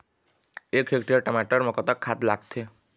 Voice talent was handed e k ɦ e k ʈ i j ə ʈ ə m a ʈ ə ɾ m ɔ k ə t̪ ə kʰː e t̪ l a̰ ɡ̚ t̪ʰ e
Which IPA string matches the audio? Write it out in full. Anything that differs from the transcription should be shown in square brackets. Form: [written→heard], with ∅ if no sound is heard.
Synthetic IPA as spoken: e k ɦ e k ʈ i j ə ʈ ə m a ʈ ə ɾ m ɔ k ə t̪ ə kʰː [e→a] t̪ l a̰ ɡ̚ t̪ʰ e